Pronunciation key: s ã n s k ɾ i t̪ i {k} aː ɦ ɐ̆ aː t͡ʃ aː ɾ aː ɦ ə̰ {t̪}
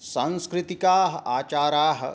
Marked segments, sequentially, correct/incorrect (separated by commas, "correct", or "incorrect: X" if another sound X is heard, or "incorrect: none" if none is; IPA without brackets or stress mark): correct, incorrect: none